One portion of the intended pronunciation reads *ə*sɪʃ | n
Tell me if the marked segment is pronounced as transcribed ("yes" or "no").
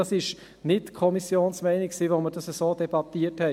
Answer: no